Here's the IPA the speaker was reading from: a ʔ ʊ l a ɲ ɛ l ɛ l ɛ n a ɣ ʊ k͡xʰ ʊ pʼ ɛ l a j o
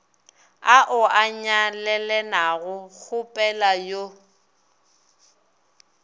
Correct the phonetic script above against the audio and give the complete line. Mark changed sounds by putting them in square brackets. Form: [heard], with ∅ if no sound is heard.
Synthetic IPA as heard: a ʔ ʊ [∅] a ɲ [a] l ɛ l ɛ n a ɣ ʊ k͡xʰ ʊ pʼ ɛ l a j o